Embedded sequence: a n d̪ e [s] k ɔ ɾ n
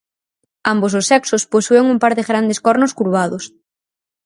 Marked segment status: correct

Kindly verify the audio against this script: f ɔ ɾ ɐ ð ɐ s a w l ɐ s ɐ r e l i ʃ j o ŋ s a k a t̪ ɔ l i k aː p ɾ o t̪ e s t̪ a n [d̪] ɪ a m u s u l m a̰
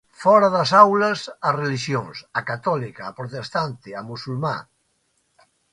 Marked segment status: incorrect: t̪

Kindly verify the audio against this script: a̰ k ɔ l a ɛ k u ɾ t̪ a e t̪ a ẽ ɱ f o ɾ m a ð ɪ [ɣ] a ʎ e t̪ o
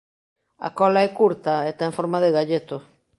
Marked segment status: correct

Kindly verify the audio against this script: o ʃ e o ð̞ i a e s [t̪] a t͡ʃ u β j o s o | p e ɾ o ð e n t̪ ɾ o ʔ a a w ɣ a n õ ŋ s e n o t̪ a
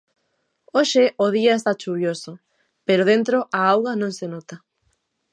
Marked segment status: correct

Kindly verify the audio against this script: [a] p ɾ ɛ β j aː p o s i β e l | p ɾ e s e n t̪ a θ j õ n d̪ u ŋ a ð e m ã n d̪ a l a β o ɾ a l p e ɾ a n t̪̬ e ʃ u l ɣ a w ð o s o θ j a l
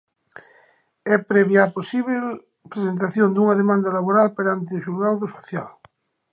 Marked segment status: incorrect: ɛ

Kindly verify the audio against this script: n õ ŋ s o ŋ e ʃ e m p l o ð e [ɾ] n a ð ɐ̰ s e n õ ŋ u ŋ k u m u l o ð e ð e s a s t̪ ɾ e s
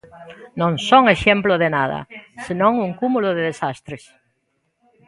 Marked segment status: incorrect: none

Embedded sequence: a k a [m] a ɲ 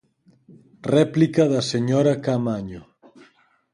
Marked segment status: correct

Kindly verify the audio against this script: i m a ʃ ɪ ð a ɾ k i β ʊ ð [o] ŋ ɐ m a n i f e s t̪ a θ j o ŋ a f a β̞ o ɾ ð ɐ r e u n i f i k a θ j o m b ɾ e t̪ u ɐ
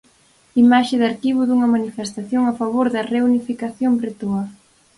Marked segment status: incorrect: u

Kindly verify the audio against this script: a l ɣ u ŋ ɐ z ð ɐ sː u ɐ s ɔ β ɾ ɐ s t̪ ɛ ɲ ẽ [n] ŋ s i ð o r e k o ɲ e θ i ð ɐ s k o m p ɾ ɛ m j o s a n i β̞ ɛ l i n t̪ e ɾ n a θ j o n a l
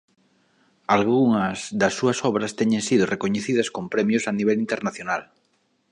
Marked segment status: incorrect: none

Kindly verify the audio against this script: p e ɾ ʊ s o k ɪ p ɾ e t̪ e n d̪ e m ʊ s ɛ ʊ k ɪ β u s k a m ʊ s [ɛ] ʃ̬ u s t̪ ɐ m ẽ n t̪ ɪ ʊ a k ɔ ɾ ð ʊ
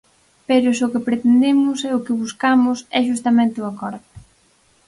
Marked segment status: correct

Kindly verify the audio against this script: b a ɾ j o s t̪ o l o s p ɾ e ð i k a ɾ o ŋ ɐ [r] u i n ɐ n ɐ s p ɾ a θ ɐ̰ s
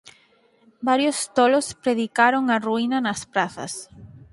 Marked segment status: correct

